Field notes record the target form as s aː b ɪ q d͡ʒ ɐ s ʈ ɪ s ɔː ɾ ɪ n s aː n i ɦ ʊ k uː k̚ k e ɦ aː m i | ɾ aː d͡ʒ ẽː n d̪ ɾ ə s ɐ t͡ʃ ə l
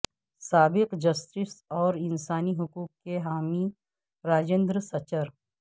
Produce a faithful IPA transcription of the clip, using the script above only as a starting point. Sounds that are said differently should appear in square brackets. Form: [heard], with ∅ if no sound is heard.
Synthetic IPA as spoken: s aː b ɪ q d͡ʒ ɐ s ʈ ɪ s ɔː ɾ ɪ n s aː n i ɦ ʊ k uː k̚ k e ɦ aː m i | ɾ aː d͡ʒ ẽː n d̪ ɾ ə s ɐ t͡ʃ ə [ɾ]